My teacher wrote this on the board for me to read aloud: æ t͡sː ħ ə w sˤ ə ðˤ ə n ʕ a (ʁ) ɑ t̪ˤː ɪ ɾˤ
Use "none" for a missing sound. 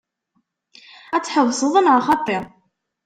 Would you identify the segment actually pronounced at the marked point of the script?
χ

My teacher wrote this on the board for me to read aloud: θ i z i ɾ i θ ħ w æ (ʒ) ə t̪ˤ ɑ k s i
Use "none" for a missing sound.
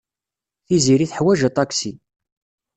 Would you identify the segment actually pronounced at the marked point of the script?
ʒ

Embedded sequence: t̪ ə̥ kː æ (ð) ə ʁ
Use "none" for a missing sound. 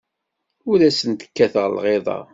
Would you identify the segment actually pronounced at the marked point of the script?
θ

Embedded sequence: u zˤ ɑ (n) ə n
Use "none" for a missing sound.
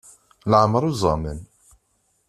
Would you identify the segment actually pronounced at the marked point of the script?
m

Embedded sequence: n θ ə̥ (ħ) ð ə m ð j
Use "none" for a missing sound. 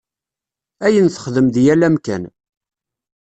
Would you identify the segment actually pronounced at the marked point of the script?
χ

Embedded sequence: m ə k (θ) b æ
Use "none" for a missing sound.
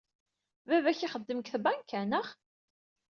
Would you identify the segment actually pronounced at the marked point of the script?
θ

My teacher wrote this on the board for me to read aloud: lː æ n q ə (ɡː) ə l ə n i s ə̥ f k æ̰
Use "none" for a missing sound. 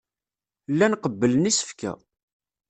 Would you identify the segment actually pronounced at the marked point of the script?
bː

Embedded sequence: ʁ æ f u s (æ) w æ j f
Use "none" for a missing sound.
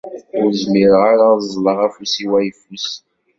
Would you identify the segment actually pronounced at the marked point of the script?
i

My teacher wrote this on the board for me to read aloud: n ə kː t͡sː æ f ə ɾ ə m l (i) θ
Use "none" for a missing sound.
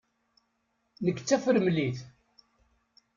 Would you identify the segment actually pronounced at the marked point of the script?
i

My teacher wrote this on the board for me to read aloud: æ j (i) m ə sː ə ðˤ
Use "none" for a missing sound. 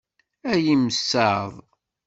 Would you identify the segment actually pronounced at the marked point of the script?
i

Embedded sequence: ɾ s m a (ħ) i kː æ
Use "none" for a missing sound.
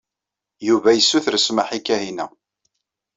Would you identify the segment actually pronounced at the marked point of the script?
ħ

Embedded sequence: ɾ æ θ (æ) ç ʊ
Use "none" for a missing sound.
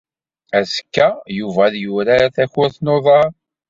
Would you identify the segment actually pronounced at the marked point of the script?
æ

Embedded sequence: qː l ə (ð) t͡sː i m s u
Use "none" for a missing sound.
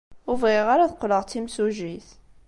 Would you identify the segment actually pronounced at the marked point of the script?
ʁ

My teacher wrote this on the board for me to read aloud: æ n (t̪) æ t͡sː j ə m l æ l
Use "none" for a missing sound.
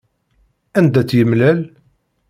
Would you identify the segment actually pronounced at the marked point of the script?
d̪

